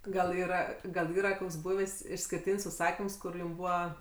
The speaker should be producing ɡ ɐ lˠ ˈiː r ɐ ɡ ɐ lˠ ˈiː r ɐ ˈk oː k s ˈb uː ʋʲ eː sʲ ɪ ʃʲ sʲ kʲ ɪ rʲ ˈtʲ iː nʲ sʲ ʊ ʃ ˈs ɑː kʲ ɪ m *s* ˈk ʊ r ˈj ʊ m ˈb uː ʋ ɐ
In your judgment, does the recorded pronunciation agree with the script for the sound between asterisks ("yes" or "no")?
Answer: yes